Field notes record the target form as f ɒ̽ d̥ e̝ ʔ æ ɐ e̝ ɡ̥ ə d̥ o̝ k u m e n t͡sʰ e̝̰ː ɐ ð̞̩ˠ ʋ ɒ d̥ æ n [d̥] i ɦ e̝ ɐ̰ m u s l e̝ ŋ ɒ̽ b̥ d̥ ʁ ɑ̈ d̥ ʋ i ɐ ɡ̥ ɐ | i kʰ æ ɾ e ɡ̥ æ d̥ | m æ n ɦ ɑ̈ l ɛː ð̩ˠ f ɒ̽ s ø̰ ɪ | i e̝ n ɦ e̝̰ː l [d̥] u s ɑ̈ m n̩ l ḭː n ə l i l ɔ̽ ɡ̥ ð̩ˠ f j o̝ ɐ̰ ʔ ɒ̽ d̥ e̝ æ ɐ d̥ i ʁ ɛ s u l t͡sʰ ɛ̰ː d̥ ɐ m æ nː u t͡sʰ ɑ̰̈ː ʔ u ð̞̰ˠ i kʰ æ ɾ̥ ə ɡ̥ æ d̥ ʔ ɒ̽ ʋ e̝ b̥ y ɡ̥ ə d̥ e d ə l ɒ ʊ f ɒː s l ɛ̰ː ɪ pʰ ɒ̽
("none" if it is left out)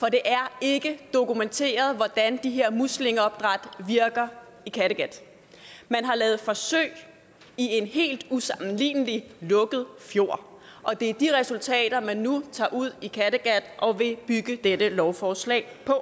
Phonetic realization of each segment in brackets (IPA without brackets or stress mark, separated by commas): d̥, d̥